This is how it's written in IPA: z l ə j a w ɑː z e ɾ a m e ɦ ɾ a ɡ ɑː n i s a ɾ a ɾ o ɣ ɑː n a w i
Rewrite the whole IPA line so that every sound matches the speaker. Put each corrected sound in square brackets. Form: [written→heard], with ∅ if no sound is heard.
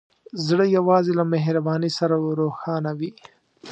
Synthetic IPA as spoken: z [l→ɽ] ə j a w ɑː z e [ɾ→l] a m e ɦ ɾ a [ɡ→b] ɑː n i s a ɾ a ɾ o [ɣ→x] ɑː n a w i

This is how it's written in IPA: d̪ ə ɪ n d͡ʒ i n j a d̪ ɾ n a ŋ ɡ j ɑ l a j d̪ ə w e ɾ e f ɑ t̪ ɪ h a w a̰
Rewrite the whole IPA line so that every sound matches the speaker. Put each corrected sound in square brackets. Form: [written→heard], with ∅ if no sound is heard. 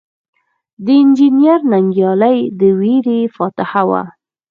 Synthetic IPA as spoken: d̪ ə ɪ n d͡ʒ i n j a [d̪→∅] ɾ n a ŋ ɡ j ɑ l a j d̪ ə w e ɾ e f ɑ t̪ ɪ h a w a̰

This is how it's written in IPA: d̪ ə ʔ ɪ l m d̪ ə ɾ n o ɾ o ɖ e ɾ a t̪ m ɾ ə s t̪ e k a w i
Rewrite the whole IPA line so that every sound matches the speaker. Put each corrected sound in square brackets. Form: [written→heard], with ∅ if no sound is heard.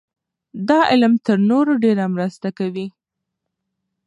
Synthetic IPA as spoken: d̪ [ə→ɑ] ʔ ɪ l m [d̪→t̪] ə ɾ n o ɾ o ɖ e ɾ a [t̪→∅] m ɾ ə s t̪ [e→a] k a w i

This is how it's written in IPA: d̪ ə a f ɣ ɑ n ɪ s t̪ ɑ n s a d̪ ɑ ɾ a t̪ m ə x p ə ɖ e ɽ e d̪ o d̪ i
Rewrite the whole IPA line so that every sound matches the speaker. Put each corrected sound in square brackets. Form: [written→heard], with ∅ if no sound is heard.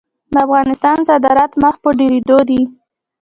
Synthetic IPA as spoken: d̪ ə a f ɣ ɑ n ɪ s t̪ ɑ n s a d̪ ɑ ɾ a t̪ m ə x p ə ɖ e [ɽ→ɾ] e d̪ o d̪ i

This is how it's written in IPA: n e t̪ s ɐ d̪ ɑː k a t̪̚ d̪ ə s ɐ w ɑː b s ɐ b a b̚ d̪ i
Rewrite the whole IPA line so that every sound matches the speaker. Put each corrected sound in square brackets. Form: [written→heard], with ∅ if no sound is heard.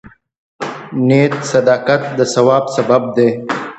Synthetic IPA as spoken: n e t̪ s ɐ d̪ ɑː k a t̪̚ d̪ ə s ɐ w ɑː b s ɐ b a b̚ d̪ [i→e]

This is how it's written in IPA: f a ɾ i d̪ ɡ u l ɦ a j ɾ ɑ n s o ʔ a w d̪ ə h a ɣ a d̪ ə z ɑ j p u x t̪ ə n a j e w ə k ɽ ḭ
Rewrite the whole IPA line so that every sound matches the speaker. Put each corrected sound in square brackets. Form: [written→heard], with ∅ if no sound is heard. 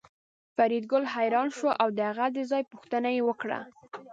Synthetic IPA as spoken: f a ɾ i d̪ ɡ [u→ʊ] l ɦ a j ɾ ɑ n [s→ʃ] o ʔ a w d̪ ə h a ɣ a d̪ ə z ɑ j p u x t̪ ə n a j e w ə k ɽ [ḭ→a̰]

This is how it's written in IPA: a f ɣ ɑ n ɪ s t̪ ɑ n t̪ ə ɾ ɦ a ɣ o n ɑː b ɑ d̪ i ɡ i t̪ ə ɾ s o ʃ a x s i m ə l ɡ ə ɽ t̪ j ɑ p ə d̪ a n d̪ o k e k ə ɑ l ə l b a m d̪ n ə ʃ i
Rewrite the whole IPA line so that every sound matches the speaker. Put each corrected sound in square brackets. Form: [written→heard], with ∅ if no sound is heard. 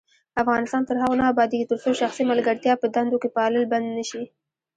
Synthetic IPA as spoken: a f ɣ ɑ n ɪ s t̪ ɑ n t̪ ə ɾ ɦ a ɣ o n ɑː b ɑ d̪ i ɡ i t̪ ə ɾ s o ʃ a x s i m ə l ɡ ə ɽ t̪ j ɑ p ə d̪ a n d̪ o k e [k→p] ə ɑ l ə l b a [m→n] d̪ n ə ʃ i

